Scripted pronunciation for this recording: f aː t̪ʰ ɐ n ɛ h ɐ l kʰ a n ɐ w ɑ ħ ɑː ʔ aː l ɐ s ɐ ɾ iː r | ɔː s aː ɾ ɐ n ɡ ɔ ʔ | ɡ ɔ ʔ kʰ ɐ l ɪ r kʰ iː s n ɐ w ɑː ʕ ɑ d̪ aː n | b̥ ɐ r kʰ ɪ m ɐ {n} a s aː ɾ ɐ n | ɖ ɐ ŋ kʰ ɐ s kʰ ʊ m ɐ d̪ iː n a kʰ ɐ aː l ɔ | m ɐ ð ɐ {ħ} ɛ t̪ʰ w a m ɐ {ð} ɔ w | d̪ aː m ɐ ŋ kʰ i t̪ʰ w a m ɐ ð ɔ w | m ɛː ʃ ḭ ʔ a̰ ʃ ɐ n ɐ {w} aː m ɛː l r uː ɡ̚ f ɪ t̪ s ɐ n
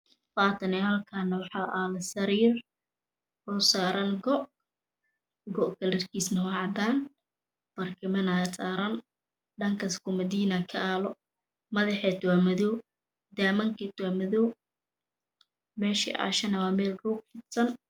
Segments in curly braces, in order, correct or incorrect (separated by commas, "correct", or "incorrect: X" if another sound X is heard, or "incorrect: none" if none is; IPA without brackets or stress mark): correct, correct, correct, correct